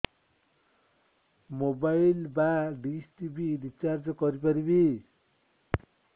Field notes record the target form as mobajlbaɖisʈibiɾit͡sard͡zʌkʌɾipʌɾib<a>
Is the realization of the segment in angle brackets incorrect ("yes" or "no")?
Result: yes